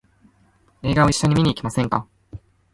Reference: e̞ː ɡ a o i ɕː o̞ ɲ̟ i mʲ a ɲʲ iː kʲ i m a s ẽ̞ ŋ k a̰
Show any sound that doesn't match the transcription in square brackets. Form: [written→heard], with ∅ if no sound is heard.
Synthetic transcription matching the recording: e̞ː ɡ a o i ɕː o̞ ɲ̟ i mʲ [a→i] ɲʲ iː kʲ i m a s ẽ̞ ŋ k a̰